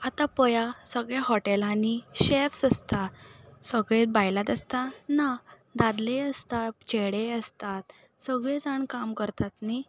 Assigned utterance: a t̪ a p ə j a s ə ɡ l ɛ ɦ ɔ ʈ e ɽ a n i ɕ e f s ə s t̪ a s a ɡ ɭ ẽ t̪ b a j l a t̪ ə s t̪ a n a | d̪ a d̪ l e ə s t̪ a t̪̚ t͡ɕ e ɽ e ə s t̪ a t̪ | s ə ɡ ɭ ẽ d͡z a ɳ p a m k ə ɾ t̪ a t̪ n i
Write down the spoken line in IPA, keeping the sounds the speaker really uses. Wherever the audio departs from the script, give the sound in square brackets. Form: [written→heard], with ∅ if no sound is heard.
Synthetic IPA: a t̪ a p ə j a s ə ɡ [l→ɭ] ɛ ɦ ɔ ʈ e [ɽ→l] a n i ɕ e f s ə s t̪ a s [a→ə] ɡ ɭ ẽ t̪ b a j l a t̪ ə s t̪ a n a | d̪ a d̪ l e ə s t̪ a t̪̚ t͡ɕ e ɽ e ə s t̪ a t̪ | s ə ɡ ɭ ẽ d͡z a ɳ [p→k] a m k ə ɾ t̪ a t̪ n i